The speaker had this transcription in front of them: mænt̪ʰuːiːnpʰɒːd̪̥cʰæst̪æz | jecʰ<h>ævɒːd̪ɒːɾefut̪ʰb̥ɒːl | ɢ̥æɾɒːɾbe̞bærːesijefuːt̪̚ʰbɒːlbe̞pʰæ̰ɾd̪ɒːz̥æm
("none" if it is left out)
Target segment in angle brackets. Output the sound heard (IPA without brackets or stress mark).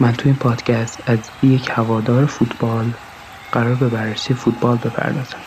h